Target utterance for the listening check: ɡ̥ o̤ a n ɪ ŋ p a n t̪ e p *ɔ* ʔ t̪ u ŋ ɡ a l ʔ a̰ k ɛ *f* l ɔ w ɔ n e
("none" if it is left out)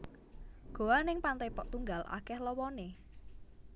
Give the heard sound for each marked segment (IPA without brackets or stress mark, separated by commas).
ɔ, h